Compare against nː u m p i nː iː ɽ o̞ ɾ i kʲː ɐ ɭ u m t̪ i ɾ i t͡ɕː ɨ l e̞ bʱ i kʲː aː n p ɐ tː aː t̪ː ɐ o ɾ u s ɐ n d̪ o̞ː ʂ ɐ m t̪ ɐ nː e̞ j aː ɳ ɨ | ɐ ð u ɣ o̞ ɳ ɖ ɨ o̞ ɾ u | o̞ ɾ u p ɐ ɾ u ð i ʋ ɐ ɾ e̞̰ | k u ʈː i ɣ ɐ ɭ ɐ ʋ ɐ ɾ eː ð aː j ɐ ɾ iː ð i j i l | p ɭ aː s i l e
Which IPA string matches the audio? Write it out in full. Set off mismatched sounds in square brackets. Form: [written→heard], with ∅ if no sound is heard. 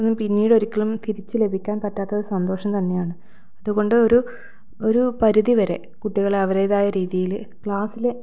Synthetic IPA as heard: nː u m p i nː iː ɽ o̞ ɾ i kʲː ɐ ɭ u m t̪ i ɾ i t͡ɕː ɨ l e̞ bʱ i kʲː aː n p ɐ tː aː t̪ː ɐ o ɾ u s ɐ n d̪ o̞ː ʂ ɐ m t̪ ɐ nː e̞ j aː ɳ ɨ | ɐ ð u ɣ o̞ ɳ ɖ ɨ o̞ ɾ u | o̞ ɾ u p ɐ ɾ u ð i ʋ ɐ ɾ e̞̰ | k u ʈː i ɣ ɐ ɭ ɐ ʋ ɐ ɾ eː ð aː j ɐ ɾ iː ð i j i l | [p→k] ɭ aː s i l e